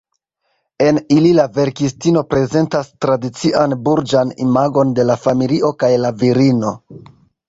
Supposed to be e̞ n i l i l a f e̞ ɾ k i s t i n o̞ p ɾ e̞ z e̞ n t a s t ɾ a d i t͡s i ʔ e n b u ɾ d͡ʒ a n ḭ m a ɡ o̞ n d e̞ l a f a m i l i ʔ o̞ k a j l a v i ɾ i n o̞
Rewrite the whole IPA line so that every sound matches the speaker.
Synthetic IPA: e̞ n i l i l a v e̞ ɾ k i s t i n o̞ p ɾ e̞ z e̞ n t a s t ɾ a d i t͡s i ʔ a n b u ɾ d͡ʒ a n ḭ m a ɡ o̞ n d e̞ l a f a m i l i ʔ o̞ k a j l a v i ɾ i n o̞